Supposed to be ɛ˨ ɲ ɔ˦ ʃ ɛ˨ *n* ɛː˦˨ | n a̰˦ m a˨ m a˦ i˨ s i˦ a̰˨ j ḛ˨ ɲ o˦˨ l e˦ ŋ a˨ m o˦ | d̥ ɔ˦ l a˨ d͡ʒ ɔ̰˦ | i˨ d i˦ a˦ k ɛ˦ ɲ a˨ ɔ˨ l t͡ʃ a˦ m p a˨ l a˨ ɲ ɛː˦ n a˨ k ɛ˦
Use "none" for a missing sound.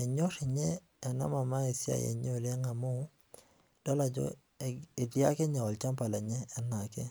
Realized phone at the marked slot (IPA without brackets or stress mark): ɲ